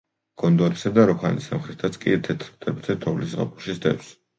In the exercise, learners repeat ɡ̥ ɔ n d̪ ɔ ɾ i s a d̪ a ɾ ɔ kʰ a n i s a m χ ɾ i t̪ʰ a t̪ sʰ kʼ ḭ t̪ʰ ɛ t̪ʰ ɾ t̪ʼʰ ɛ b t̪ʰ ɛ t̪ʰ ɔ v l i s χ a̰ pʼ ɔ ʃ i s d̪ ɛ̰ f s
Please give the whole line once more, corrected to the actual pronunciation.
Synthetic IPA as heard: ɡ̥ ɔ n d̪ ɔ ɾ i s a d̪ a ɾ ɔ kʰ a n i s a m χ ɾ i t̪ʰ a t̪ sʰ kʼ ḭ t̪ʰ ɛ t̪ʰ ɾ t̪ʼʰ ɛ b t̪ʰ ɛ t̪ʰ ɔ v l i s ʁ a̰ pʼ u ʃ i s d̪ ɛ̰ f s